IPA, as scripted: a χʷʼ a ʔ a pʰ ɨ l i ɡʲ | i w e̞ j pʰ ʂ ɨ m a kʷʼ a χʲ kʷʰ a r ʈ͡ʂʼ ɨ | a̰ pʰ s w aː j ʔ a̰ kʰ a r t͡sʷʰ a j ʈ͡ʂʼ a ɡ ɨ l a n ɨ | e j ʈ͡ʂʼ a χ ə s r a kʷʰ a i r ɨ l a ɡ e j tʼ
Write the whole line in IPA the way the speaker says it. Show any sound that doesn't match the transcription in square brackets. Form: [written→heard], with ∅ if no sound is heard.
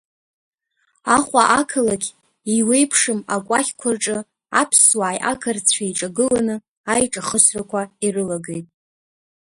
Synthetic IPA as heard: a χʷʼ a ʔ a [pʰ→kʰ] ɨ l [i→a] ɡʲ | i w e̞ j pʰ ʂ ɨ m a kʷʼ a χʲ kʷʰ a r ʈ͡ʂʼ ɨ | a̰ pʰ s w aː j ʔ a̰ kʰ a r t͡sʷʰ a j ʈ͡ʂʼ a ɡ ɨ l a n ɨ | [e→a] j ʈ͡ʂʼ a χ ə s r a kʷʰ a i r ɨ l a ɡ e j tʼ